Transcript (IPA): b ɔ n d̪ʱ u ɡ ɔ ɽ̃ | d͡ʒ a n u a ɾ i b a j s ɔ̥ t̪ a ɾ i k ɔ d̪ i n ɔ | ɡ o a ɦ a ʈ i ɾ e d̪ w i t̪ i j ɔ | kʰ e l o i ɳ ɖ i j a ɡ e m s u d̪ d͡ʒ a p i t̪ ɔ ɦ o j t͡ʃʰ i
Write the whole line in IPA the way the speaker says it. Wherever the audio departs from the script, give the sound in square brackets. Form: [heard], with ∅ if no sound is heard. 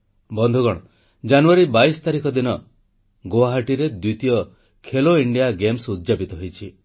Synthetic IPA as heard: b ɔ n d̪ʱ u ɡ ɔ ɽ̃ | d͡ʒ a n u a ɾ i b a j s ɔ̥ t̪ a ɾ i k ɔ d̪ i n ɔ | ɡ o a ɦ a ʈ i ɾ e d̪ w i t̪ i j ɔ | kʰ e l o i ɳ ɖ i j a ɡ e m s u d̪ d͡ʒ a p i t̪ ɔ ɦ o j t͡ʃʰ i